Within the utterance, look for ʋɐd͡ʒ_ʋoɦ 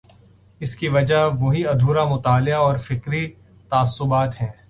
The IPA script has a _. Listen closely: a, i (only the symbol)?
a